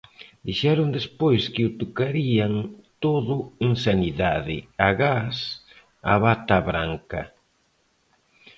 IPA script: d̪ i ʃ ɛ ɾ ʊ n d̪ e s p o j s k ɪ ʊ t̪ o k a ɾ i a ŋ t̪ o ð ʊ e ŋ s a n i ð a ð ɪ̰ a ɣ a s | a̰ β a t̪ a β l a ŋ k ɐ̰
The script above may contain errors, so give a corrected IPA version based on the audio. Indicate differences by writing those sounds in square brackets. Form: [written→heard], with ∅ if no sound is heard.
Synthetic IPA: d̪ i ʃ ɛ ɾ ʊ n d̪ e s p o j s k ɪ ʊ t̪ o k a ɾ i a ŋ t̪ o ð ʊ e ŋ s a n i ð a ð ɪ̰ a ɣ a s | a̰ β a t̪ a β [l→ɾ] a ŋ k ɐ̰